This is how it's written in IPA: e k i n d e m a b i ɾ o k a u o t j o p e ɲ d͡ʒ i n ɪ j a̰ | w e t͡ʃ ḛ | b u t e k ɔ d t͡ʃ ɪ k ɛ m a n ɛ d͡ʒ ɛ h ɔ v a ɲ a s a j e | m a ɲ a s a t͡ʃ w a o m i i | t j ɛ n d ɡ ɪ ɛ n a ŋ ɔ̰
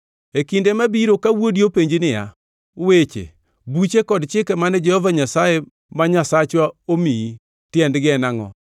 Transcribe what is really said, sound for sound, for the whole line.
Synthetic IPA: e k i n d e m a b i ɾ o k a w o d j o p e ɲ d͡ʒ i n ɪ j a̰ | w e t͡ʃ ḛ | b u t͡ʃ e k ɔ d t͡ʃ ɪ k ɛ m a n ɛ d͡ʒ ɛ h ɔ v a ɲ a s a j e | m a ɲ a s a t͡ʃ w a o m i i | t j ɛ n d ɡ ɪ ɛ n a ŋ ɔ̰